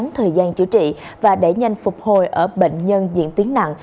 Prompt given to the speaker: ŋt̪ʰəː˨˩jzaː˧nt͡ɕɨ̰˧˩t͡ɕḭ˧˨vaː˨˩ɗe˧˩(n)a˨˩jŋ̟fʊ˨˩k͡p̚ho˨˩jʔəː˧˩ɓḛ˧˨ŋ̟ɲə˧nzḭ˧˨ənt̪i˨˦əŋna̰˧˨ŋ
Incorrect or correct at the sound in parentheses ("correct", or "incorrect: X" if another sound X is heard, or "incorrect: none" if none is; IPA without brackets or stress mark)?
incorrect: ɲ